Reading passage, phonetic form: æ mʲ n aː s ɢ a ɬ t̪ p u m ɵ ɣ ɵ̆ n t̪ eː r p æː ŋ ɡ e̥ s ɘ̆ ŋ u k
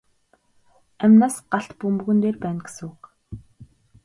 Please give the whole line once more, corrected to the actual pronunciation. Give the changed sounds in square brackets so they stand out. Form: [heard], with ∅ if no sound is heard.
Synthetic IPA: æ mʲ n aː s ɢ a ɬ t̪ p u m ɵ ɣ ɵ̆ n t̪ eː r p æː [n] ɡ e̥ s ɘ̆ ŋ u k